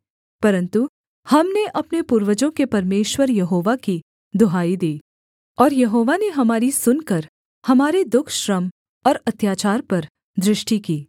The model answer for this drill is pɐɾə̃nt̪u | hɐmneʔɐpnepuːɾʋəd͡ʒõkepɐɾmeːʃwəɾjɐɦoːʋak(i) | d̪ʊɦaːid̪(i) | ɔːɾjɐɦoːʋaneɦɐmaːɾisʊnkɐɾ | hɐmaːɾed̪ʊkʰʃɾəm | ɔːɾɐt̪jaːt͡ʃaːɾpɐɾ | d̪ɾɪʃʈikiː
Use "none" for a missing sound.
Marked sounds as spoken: i, iː

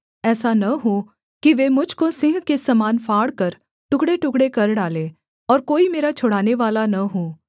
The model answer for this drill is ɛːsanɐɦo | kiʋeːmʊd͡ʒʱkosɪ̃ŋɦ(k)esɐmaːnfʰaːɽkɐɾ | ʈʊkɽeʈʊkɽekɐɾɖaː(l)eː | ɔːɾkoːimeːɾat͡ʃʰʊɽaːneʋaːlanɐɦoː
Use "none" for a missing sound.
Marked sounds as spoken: k, l

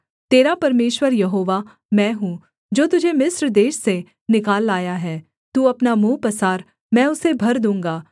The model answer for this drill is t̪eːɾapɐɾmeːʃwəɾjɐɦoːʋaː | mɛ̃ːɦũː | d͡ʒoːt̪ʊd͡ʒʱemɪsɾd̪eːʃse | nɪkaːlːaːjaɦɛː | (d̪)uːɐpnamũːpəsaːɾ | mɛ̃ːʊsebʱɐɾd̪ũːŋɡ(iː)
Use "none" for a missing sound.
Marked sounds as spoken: t̪, aː

